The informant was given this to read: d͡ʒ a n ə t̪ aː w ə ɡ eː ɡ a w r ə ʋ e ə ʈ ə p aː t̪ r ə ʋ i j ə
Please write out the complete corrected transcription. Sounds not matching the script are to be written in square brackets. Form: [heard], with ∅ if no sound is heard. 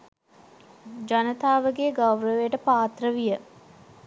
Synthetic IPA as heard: d͡ʒ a n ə t̪ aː [ʋ] ə ɡ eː ɡ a w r ə ʋ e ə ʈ ə p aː t̪ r ə ʋ i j ə